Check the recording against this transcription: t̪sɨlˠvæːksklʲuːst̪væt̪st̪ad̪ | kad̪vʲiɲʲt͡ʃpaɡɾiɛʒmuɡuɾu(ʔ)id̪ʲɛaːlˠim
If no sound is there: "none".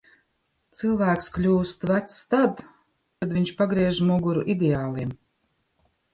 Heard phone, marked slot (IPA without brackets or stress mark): ʔ